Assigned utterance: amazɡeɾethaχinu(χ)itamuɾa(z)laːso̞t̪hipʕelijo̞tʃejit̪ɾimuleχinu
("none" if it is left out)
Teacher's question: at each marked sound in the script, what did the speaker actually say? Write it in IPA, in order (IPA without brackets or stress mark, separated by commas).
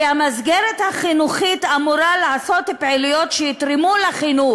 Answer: χ, none